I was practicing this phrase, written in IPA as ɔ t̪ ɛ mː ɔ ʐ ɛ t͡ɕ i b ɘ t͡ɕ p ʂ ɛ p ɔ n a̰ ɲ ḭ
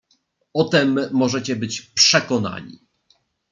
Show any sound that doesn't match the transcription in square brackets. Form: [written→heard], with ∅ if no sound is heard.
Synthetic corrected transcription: ɔ t̪ ɛ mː ɔ ʐ ɛ t͡ɕ [i→ɛ] b ɘ t͡ɕ p ʂ ɛ [p→k] ɔ n a̰ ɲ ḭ